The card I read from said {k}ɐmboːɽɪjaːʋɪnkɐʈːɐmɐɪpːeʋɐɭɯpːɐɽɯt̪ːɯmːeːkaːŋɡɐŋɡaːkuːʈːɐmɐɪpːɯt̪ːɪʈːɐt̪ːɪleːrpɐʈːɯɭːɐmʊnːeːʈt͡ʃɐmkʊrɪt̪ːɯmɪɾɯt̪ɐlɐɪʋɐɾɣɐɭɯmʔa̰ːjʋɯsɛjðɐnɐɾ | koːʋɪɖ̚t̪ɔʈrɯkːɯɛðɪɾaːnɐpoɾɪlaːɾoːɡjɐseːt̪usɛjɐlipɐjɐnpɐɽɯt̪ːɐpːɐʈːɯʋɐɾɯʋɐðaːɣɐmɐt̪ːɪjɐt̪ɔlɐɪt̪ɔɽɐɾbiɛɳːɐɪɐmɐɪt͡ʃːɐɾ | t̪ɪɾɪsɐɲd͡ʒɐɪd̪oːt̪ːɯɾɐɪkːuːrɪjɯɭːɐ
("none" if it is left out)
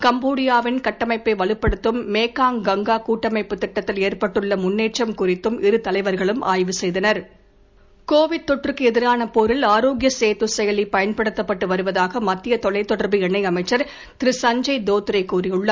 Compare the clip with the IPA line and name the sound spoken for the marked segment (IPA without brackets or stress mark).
k